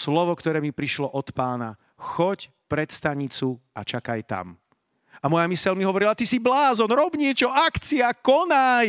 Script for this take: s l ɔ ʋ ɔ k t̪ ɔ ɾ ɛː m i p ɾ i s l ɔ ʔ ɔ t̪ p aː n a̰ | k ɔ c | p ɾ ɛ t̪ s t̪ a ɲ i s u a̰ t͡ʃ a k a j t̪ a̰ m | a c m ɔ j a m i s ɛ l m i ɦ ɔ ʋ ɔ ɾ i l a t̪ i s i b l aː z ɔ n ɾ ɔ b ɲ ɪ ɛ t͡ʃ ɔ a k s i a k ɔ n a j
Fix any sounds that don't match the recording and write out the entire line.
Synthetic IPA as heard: s l ɔ ʋ ɔ k t̪ ɔ ɾ ɛː m i p ɾ i ʃ l ɔ ʔ ɔ t̪ p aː n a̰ | x ɔ c | p ɾ ɛ t̪ s t̪ a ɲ i t͡s u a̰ t͡ʃ a k a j t̪ a̰ m | a m ɔ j a m i s ɛ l m i ɦ ɔ ʋ ɔ ɾ i l a t̪ i s i b l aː z ɔ n ɾ ɔ b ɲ ɪ ɛ t͡ʃ ɔ a k t͡s i a k ɔ n a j